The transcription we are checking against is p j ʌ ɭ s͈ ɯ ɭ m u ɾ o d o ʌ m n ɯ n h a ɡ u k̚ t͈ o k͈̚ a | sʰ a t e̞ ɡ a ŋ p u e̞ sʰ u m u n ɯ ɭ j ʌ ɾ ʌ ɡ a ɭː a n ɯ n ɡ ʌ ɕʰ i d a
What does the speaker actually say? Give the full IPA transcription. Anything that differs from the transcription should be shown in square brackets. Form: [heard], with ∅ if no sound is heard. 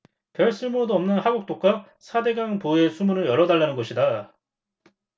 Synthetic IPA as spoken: p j ʌ ɭ s͈ ɯ ɭ m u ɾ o d o ʌ m n ɯ n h a ɡ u k̚ t͈ o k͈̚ a | sʰ a [d] e̞ ɡ a ŋ p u e̞ sʰ u m u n ɯ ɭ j ʌ ɾ ʌ [d] a ɭː a n ɯ n ɡ ʌ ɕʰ i d a